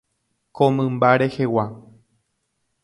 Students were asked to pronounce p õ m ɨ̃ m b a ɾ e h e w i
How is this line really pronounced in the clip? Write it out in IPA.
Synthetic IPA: k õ m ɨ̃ m b a ɾ e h e w a